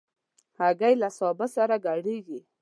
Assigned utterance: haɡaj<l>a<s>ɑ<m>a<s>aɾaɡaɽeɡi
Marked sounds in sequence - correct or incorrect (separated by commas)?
correct, correct, incorrect, correct